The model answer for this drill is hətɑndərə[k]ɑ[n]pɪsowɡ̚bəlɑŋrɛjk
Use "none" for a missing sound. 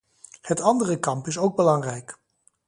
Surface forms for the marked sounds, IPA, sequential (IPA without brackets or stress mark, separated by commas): k, m